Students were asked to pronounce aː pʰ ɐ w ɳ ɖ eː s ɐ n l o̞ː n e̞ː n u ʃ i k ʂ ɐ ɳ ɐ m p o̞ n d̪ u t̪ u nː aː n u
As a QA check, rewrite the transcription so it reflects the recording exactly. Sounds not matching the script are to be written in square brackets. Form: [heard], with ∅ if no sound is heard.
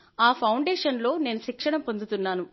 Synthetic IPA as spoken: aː pʰ ɐ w ɳ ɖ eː [ʂ] ɐ n l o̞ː n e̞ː n u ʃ i k ʂ ɐ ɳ ɐ m p o̞ n d̪ u t̪ u nː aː n u